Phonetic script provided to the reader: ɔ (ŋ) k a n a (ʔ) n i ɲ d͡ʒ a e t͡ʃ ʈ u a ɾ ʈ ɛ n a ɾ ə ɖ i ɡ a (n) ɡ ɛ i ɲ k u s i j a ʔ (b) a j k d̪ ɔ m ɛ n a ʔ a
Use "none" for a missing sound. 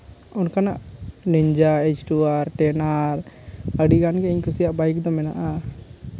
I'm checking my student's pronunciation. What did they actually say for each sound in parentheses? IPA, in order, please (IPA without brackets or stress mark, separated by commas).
n, ʔ, n, b